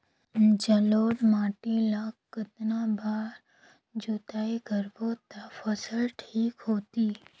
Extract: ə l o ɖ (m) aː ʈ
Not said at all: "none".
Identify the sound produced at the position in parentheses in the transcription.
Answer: m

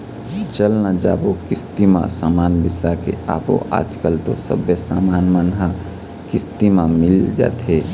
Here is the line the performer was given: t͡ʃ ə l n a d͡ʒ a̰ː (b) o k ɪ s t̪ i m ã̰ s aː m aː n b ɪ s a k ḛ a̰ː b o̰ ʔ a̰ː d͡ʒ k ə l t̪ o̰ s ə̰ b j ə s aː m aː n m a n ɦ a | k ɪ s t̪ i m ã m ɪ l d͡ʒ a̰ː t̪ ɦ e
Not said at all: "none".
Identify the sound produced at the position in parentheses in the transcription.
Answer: b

